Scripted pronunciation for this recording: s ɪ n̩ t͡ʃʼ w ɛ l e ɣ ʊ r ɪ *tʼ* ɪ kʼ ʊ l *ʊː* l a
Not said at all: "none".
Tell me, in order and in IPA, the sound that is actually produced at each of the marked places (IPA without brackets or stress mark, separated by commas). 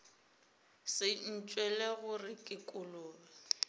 kʼ, ʊː